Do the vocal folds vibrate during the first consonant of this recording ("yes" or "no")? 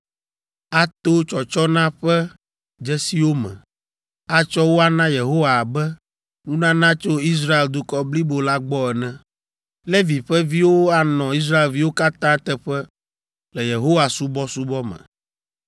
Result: no